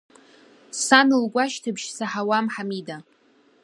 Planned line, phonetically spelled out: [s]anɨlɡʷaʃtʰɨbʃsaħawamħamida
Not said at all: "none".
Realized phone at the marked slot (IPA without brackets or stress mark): s